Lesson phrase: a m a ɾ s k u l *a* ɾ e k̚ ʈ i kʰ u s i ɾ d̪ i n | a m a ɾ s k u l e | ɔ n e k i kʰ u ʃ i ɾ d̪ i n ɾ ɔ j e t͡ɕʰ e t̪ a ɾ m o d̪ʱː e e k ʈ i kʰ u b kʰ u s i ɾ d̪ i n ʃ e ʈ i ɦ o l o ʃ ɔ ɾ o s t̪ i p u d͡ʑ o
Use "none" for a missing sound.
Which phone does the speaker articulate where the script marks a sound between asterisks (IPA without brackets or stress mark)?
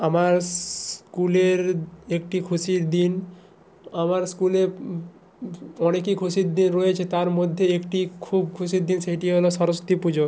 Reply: e